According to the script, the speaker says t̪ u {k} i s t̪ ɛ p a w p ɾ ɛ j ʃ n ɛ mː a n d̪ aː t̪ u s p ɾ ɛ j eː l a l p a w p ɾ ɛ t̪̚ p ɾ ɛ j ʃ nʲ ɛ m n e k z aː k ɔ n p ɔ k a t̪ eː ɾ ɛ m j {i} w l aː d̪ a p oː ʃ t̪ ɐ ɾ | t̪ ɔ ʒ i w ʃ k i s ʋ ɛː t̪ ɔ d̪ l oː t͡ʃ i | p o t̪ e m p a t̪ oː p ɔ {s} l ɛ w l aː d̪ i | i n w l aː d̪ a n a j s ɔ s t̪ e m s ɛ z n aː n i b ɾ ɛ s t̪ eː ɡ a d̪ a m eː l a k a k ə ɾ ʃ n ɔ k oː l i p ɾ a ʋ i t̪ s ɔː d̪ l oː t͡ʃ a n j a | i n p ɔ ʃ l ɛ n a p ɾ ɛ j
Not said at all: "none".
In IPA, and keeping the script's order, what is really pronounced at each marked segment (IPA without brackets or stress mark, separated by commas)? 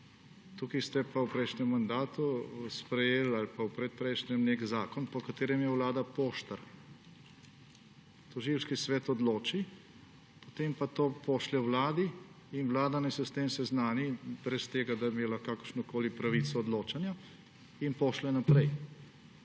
k, ɛ, ʃ